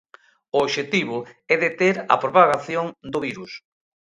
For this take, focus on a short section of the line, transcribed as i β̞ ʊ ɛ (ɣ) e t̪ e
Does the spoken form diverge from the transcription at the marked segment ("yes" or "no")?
yes